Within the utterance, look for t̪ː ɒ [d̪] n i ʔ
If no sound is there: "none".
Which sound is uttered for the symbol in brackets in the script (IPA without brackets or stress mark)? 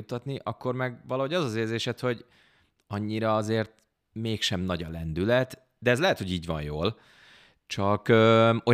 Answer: t̪